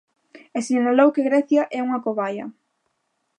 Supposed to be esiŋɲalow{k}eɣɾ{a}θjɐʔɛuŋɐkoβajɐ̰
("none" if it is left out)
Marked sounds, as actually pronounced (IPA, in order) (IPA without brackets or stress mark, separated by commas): k, ɛ